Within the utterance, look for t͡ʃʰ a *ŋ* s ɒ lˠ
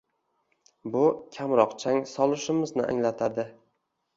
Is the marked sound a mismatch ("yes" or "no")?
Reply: no